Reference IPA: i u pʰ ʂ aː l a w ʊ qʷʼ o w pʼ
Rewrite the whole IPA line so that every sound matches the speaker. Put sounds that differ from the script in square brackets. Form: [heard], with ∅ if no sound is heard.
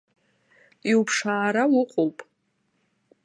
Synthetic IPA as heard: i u pʰ ʂ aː [ɾ] a w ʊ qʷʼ o w pʼ